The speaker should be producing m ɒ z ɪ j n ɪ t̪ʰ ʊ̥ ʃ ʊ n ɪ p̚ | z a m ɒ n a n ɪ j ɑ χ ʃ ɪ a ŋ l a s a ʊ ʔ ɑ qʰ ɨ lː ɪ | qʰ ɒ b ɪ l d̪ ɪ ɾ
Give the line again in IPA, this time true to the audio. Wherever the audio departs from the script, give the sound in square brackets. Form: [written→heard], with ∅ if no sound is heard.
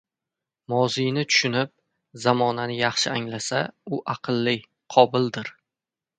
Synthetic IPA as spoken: m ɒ z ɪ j n ɪ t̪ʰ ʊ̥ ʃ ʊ n ɪ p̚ | z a m ɒ n a n ɪ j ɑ χ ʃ ɪ a ŋ l a s a ʊ ʔ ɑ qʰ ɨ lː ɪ | qʰ ɒ b ɪ l d̪ ɪ ɾ